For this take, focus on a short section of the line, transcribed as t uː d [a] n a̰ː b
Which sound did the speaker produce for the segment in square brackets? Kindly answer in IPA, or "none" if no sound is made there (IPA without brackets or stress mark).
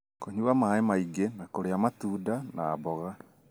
a